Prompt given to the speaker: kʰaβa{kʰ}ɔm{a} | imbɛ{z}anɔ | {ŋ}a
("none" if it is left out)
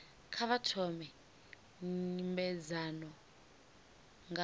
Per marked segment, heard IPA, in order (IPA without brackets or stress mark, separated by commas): tʰ, ɛ, z, ŋ